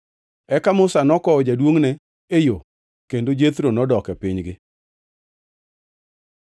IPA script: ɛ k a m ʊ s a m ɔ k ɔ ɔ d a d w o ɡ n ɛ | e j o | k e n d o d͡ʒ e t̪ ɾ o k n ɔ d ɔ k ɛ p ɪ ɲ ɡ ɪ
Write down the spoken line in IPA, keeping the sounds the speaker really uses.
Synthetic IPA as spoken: ɛ k a m ʊ s a n ɔ k ɔ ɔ d͡ʒ a d w o ŋ n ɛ | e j o | k e n d o d͡ʒ e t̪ ɾ o n ɔ d ɔ k ɛ p ɪ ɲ ɡ ɪ